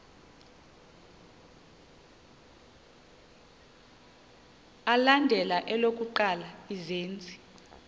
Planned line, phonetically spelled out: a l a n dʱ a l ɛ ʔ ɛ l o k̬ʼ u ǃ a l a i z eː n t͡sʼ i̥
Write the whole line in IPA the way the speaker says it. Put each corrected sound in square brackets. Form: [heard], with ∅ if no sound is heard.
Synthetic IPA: a l a n dʱ [ɛ] l [a] ʔ ɛ l o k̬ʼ u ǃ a l a i z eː n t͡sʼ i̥